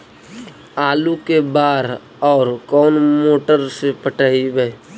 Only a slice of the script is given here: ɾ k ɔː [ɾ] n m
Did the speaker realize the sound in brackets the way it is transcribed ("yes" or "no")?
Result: no